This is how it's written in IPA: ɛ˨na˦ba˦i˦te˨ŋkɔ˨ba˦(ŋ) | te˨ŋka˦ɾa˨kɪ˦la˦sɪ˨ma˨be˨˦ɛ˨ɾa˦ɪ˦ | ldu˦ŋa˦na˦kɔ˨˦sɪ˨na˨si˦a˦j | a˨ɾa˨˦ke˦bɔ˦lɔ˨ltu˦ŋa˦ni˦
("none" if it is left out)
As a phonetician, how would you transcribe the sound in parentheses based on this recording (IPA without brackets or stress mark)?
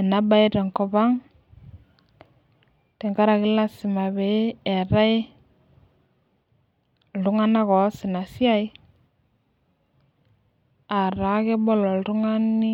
ŋ